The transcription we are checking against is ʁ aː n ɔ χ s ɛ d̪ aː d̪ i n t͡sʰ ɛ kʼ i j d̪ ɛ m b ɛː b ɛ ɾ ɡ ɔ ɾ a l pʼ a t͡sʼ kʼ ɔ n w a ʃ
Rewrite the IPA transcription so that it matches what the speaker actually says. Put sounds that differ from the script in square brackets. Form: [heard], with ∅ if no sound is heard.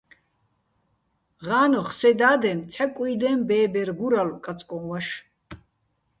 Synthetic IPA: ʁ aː n ɔ χ s ɛ d̪ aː d̪ [ɛ] n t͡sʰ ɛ kʼ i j d̪ ɛ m b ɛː b ɛ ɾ ɡ [u] ɾ a l [kʼ] a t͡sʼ kʼ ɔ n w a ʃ